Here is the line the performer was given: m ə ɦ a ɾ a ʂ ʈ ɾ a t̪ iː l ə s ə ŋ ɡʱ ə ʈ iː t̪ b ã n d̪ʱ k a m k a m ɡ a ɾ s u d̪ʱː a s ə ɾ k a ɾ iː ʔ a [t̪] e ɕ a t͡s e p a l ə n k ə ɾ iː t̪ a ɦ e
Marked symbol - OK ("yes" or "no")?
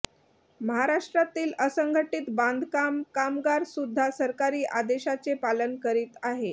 no